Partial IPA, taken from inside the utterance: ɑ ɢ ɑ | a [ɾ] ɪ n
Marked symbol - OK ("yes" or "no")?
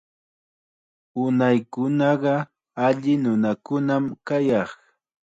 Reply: no